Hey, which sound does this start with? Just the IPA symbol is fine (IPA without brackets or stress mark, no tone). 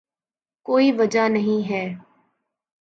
k